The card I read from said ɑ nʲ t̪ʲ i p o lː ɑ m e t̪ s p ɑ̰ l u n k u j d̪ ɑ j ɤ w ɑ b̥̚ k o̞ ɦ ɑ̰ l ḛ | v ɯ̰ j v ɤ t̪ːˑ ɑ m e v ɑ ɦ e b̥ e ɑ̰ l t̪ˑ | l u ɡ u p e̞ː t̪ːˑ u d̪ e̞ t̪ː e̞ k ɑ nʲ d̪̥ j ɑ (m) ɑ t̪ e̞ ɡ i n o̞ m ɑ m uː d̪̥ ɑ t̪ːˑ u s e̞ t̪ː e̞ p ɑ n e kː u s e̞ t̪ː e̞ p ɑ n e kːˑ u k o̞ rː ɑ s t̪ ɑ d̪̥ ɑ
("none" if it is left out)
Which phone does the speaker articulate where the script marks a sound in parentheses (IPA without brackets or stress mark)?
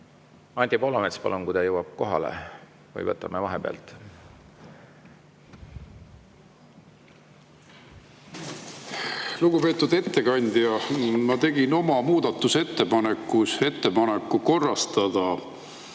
m